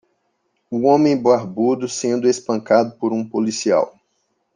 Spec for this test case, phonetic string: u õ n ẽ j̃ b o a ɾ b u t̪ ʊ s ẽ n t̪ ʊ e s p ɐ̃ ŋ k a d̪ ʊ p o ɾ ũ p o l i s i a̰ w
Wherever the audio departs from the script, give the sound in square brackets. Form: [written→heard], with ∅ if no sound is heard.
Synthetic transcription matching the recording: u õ [n→m] ẽ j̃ b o a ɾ b u [t̪→d̪] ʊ s ẽ n [t̪→d̪] ʊ e s p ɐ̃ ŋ k a d̪ ʊ p o ɾ ũ p o l i s i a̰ w